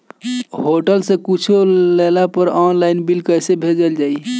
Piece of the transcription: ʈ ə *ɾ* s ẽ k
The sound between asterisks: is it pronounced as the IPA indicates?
no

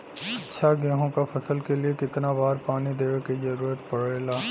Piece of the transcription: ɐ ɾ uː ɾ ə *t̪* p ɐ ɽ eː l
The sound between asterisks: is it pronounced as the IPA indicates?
yes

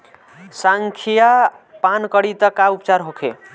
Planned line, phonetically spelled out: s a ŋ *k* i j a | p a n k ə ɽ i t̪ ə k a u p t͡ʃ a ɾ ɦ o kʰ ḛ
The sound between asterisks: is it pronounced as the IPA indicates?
no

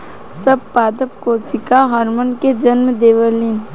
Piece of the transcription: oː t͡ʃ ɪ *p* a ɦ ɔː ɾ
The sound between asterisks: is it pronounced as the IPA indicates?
no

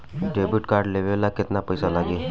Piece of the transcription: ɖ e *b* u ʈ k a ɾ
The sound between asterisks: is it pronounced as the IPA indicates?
yes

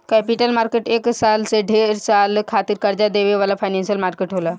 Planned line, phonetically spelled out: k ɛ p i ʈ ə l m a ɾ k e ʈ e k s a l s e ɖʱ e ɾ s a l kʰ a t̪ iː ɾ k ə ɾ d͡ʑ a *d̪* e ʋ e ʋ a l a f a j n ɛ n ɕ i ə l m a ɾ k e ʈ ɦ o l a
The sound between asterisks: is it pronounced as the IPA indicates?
yes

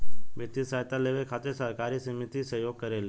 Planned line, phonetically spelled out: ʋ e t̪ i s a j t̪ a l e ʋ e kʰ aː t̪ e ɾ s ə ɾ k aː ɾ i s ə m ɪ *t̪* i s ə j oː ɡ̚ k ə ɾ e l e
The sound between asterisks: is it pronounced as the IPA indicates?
yes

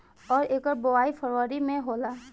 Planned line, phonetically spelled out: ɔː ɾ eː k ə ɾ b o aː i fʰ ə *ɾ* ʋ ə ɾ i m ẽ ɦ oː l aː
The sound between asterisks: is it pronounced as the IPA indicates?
yes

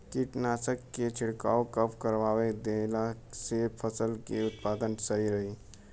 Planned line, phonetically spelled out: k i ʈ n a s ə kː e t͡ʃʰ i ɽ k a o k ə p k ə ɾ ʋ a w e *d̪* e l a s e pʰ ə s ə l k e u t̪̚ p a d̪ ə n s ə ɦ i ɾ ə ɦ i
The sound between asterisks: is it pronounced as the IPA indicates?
yes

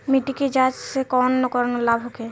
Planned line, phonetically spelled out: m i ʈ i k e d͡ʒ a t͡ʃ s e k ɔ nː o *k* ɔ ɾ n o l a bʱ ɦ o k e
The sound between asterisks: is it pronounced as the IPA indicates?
yes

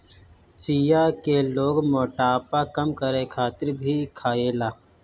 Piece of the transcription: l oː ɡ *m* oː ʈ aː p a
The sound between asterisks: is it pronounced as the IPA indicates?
yes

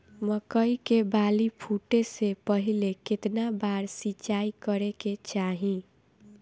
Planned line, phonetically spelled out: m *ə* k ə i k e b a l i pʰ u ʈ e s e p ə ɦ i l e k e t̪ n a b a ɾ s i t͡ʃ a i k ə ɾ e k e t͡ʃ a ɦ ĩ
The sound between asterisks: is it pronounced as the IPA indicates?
yes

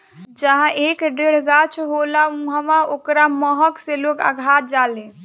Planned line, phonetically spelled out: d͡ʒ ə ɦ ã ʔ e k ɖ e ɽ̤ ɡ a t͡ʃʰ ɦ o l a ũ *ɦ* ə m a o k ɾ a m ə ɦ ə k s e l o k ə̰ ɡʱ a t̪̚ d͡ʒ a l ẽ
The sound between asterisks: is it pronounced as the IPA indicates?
yes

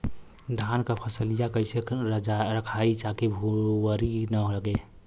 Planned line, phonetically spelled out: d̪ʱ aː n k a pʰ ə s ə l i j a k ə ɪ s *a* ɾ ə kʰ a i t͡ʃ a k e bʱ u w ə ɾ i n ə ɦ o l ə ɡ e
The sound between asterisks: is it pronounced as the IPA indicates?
no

